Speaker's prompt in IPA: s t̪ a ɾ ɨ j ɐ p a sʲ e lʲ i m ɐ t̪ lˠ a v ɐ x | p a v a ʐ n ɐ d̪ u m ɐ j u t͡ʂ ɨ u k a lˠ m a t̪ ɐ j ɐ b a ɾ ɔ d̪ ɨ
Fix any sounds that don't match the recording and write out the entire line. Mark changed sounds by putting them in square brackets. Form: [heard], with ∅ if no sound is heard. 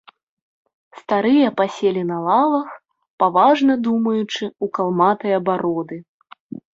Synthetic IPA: s t̪ a ɾ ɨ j ɐ p a sʲ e lʲ i [n] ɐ [∅] lˠ a v ɐ x | p a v a ʐ n ɐ d̪ u m ɐ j u t͡ʂ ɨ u k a lˠ m a t̪ ɐ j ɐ b a ɾ ɔ d̪ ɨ